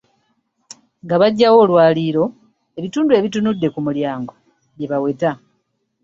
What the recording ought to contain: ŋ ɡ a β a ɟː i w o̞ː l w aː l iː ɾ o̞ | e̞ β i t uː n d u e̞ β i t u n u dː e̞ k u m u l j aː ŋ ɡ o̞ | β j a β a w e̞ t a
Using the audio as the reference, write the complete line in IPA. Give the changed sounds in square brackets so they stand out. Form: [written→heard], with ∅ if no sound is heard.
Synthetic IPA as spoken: ŋ ɡ a β a ɟː [i→a] w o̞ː l w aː l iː ɾ o̞ | e̞ β i t uː n d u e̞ β i t u n u dː e̞ k u m u l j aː ŋ ɡ o̞ | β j [a→e] β a w e̞ t a